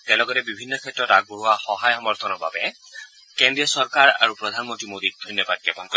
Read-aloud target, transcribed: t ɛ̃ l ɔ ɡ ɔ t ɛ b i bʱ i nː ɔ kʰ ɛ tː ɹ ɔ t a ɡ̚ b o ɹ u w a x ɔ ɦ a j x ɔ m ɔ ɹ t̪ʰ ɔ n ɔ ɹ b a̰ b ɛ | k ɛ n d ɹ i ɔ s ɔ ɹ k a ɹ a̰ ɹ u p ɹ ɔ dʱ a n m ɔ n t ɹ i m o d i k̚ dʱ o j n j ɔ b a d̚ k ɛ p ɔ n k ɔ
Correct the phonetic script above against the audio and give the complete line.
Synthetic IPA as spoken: t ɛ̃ l ɔ ɡ ɔ t ɛ b i bʱ i nː ɔ kʰ ɛ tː ɹ ɔ t a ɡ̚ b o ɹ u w a x ɔ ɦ a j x ɔ m ɔ ɹ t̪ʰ ɔ n ɔ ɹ b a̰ b ɛ | k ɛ n d ɹ i ɔ s ɔ ɹ k a ɹ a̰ ɹ u p ɹ ɔ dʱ a n m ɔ n t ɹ i m o d i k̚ dʱ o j n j ɔ b a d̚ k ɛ p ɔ n k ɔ